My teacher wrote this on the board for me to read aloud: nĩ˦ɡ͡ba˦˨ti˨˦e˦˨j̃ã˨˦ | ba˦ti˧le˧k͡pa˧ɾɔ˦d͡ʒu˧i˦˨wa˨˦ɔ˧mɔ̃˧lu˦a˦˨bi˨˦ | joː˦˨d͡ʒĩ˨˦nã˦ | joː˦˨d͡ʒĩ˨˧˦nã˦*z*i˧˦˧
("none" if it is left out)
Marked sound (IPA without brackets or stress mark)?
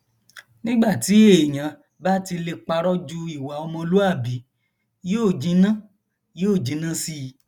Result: s